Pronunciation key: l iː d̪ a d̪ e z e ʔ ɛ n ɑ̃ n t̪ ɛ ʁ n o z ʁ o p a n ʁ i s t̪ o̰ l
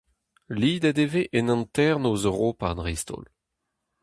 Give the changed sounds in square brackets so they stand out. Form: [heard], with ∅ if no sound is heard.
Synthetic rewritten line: l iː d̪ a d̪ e [v] e ʔ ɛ n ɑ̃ n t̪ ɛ ʁ n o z ʁ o p a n ʁ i s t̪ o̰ l